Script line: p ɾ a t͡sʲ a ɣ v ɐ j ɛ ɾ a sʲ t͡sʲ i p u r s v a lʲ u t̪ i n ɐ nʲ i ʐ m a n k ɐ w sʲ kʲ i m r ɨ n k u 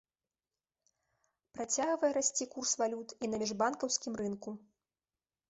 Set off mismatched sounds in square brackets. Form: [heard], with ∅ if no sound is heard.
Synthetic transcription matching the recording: p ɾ a t͡sʲ a ɣ v ɐ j ɛ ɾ a sʲ t͡sʲ i [k] u r s v a lʲ u t̪ i n ɐ [mʲ] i ʐ [b] a n k ɐ w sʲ kʲ i m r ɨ n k u